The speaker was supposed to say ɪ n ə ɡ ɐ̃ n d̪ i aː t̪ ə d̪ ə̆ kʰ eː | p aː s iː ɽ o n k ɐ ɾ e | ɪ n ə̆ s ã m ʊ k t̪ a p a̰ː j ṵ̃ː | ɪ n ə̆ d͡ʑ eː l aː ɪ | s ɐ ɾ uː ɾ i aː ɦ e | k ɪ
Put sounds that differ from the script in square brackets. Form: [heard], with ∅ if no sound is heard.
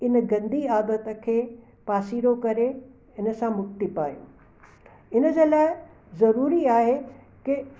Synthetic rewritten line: ɪ n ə ɡ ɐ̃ n d̪ i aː [d̪] ə [t̪] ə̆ kʰ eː | p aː s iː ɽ o [∅] k ɐ ɾ e | ɪ n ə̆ s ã m ʊ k t̪ [i] p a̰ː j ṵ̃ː | ɪ n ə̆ d͡ʑ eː l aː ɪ | [z] ɐ ɾ uː ɾ i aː ɦ e | k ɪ